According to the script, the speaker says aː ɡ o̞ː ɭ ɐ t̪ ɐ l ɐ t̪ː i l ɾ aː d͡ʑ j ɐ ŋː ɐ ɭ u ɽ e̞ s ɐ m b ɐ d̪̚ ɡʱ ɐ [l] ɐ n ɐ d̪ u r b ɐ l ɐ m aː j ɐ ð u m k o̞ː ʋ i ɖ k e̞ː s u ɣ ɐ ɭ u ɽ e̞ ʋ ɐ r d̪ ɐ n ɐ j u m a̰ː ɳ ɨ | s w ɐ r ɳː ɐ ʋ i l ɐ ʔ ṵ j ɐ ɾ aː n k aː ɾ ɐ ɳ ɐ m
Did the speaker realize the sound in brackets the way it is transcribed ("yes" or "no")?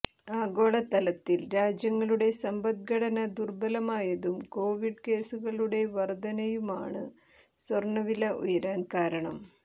no